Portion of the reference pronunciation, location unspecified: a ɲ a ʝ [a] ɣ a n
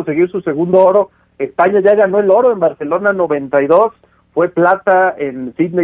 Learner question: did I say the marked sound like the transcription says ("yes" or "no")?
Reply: yes